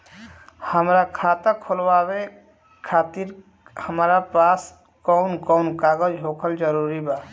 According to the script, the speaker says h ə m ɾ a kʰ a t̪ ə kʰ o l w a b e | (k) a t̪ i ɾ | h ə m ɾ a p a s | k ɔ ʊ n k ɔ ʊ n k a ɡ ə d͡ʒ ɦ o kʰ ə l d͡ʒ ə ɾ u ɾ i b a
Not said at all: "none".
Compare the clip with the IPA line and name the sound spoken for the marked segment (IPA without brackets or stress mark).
kʰ